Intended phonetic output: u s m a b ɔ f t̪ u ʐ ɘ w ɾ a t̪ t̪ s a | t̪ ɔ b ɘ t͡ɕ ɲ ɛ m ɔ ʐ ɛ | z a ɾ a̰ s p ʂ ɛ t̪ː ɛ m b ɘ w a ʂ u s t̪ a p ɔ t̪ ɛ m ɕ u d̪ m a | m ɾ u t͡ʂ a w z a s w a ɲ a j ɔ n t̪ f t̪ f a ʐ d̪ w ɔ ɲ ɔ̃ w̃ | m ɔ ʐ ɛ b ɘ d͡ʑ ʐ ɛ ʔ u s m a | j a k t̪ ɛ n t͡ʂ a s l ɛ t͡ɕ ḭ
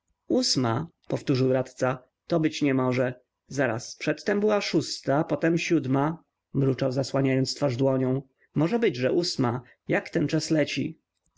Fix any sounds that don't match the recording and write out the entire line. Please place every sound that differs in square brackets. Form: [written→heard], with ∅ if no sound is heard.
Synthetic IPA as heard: u s m a [b→p] ɔ f t̪ u ʐ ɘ w ɾ a t̪ t̪ s a | t̪ ɔ b ɘ t͡ɕ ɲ ɛ m ɔ ʐ ɛ | z a ɾ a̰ s p ʂ ɛ t̪ː ɛ m b ɘ w a ʂ u s t̪ a p ɔ t̪ ɛ m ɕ u d̪ m a | m ɾ u t͡ʂ a w z a s w a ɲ a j ɔ n t̪ [f→s] t̪ f a ʐ d̪ w ɔ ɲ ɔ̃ w̃ | m ɔ ʐ ɛ b ɘ d͡ʑ ʐ ɛ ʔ u s m a | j a k t̪ ɛ n t͡ʂ a s l ɛ t͡ɕ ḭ